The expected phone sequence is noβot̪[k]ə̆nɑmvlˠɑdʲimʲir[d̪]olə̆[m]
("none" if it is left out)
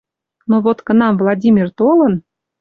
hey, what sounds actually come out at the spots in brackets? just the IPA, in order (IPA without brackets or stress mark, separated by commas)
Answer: k, t̪, n